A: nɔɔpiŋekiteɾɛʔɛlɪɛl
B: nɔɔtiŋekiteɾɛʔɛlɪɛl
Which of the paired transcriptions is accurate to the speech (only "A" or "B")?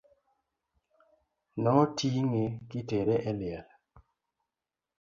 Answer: B